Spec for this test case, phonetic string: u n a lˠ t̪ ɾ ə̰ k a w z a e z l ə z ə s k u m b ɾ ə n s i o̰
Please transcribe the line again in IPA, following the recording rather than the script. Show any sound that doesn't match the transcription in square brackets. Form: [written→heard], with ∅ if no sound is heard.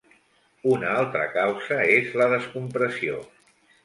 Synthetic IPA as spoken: u n a lˠ t̪ ɾ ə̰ k a w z [a→ə] e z l ə [z→ð] ə s k u m [b→p] ɾ ə [n→∅] s i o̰

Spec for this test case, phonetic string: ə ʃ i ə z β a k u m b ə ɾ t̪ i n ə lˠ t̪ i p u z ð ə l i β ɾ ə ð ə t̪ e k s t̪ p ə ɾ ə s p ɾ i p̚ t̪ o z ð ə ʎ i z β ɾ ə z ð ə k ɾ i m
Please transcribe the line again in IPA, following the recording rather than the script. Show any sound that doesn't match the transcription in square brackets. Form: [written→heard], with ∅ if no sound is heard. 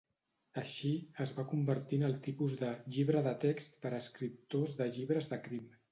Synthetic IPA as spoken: ə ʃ i ə z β a k u m b ə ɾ t̪ i n ə lˠ t̪ i p u z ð ə [l→ʎ] i β ɾ ə ð ə t̪ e k s t̪ p ə ɾ ə s [p→k] ɾ i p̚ t̪ o z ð ə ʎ i [z→∅] β ɾ ə z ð ə k ɾ i m

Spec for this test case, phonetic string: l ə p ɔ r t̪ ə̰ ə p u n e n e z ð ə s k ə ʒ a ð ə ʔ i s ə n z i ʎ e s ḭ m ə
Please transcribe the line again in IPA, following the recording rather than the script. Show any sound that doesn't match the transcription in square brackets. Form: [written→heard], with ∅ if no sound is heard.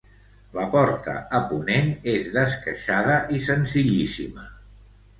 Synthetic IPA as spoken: l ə p ɔ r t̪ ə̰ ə p u n e n e z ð ə s k ə [ʒ→ʃ] a ð ə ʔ i s ə n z i ʎ [e→i] s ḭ m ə

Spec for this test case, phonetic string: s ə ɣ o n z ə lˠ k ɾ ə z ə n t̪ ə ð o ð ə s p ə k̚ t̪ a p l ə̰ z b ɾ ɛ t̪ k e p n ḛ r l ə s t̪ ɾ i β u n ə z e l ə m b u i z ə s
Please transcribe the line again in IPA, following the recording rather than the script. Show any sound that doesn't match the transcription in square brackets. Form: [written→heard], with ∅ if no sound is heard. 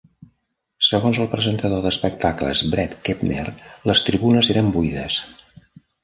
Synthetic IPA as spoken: s ə ɣ o n z ə lˠ [k→p] ɾ ə z ə n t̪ ə ð o ð ə s p ə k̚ t̪ a [p→k] l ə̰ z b ɾ ɛ t̪ k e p n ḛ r l ə s t̪ ɾ i β u n ə z e [l→ɾ] ə m b u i [z→ð] ə s

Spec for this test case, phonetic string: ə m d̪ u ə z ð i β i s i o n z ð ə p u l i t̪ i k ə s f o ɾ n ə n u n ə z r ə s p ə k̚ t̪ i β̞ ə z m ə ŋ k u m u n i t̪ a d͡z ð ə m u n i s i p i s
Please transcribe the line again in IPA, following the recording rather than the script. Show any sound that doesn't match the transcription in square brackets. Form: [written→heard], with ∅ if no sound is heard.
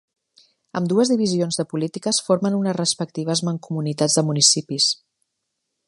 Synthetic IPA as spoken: ə m d̪ u ə z ð i β i [s→z] i o n z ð ə p u l i t̪ i k ə s f o ɾ [n→m] ə n u n ə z r ə s p ə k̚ t̪ i β̞ ə z m ə ŋ k u m u n i t̪ a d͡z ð ə m u n i s i p i s

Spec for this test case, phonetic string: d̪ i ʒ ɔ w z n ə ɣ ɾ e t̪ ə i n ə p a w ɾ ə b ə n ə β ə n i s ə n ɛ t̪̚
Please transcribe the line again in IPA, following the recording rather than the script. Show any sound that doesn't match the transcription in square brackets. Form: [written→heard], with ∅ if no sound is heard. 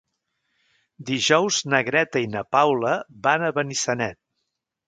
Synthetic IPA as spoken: d̪ i ʒ ɔ w z n ə ɣ ɾ [e→ɛ] t̪ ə i n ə p a w [ɾ→l] ə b [ə→a] n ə β ə n i s ə n ɛ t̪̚

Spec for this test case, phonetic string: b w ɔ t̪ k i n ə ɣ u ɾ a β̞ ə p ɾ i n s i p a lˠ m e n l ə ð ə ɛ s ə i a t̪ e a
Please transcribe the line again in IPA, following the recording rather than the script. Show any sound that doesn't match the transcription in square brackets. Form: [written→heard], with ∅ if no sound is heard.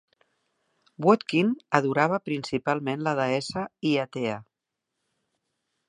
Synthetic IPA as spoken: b w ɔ t̪ k i n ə [ɣ→ð] u ɾ a β̞ ə p ɾ i n s i p a lˠ m e n l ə ð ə ɛ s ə i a t̪ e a

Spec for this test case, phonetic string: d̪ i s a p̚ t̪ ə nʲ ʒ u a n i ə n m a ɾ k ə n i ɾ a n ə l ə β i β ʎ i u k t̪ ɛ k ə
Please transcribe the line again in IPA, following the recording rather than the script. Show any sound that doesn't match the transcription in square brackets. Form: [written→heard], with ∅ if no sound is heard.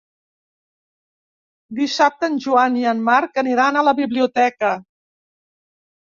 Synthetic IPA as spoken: d̪ i s a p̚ t̪ ə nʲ ʒ u a n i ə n m a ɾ k ə n i ɾ a n ə l ə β i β [ʎ→l] i u [k→∅] t̪ ɛ k ə

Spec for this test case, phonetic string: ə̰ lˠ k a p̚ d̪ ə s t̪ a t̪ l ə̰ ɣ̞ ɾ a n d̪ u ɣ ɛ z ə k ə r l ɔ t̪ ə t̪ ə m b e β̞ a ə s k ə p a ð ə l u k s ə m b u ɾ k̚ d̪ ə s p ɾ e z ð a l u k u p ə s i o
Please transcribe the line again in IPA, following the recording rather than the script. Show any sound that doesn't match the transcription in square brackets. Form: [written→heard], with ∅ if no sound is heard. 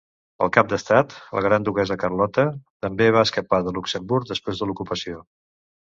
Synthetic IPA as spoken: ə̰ lˠ k a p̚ d̪ ə s t̪ a t̪ l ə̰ ɣ̞ ɾ a n d̪ u ɣ ɛ z ə k ə r l ɔ t̪ ə t̪ ə m b e β̞ a ə s k ə p a ð ə l u k s ə m b u ɾ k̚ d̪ ə s p ɾ e z ð [a→ə] l u k u p ə s i o

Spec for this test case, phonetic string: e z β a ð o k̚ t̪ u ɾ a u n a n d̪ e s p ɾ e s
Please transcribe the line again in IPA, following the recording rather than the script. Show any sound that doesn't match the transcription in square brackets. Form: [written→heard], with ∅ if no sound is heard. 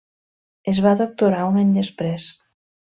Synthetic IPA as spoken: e z β a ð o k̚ t̪ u ɾ a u n a [n→ɲ] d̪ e s p ɾ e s

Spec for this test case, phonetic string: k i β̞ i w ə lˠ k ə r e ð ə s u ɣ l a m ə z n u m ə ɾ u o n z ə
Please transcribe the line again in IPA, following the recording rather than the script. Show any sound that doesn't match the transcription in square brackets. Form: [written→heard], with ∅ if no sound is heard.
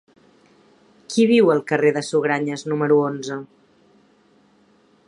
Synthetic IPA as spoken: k i β̞ i w ə lˠ k ə r e ð ə s u ɣ [l→ɾ] a [m→ɲ] ə z n u m ə ɾ u o n z ə

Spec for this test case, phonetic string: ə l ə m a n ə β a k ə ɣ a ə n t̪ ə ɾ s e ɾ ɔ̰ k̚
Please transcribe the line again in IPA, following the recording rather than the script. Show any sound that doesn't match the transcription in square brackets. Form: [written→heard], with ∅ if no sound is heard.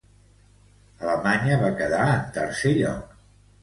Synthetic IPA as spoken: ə l ə m a [n→ɲ] ə β a k ə [ɣ→ð] a ə n t̪ ə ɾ s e [ɾ→ʎ] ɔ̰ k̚

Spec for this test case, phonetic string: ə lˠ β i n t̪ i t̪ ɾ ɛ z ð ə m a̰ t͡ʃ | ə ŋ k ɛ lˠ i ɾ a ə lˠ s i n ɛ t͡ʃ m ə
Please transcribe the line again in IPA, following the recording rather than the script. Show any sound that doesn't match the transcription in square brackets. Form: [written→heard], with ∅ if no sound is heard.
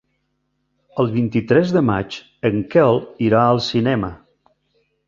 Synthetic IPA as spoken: ə lˠ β i n t̪ i t̪ ɾ ɛ z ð ə m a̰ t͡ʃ | ə ŋ k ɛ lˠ i ɾ a ə lˠ s i n ɛ [t͡ʃ→∅] m ə

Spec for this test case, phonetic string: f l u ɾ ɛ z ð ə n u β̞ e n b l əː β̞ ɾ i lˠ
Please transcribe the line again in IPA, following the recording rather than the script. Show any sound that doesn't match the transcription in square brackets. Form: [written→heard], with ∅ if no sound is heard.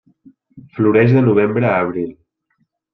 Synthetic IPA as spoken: f l u ɾ ɛ [z→ʒ] ð ə n u β̞ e [n→m] b [l→ɾ] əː β̞ ɾ i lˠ

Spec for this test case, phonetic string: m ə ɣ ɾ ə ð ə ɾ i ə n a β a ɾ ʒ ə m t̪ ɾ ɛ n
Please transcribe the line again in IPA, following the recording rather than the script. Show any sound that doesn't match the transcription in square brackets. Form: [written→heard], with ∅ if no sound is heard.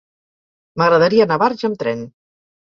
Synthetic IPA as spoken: m ə ɣ ɾ ə ð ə ɾ i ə n a β a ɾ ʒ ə m t̪ ɾ ɛ n

